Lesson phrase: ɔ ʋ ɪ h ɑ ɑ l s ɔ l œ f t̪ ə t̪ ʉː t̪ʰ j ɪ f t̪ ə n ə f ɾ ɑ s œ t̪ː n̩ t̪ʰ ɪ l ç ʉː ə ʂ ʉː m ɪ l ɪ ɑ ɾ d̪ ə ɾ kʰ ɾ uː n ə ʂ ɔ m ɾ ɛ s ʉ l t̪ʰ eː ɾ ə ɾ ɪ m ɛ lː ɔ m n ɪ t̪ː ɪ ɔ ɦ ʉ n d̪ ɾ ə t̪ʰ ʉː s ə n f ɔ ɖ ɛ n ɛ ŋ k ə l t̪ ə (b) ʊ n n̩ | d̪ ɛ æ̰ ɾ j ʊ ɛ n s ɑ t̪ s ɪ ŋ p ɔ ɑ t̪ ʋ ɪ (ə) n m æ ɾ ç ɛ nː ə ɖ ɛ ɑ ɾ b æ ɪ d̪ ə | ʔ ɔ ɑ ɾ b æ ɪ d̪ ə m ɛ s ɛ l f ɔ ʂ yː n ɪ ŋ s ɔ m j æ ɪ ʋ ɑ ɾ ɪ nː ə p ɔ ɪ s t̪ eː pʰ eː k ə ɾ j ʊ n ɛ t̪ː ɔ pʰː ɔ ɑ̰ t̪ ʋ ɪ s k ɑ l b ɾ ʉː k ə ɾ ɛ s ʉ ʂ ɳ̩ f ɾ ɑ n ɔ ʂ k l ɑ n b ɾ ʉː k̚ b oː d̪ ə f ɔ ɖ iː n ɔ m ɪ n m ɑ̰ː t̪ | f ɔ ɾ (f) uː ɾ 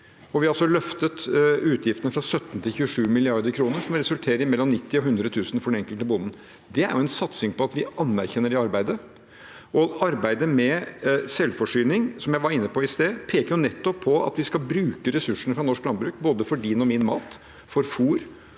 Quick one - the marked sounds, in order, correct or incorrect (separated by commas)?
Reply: correct, incorrect, correct